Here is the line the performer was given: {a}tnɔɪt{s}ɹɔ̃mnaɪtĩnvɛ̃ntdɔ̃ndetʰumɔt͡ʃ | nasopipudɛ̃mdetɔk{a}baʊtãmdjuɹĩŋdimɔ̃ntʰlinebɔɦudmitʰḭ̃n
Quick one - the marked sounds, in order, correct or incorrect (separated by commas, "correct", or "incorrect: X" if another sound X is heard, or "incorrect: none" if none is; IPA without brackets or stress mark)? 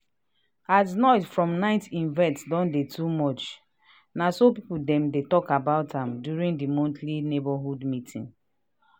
correct, incorrect: f, correct